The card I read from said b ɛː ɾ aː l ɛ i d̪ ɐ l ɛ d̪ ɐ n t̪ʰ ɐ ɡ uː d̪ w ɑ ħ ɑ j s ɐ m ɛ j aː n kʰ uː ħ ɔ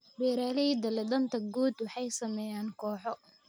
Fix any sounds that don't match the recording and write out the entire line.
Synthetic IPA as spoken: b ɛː ɾ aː l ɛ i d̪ ɐ l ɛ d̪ ɐ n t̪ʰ ɐ ɡ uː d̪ w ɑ ħ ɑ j s ɐ m ɛ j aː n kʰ ɔː ħ ɔ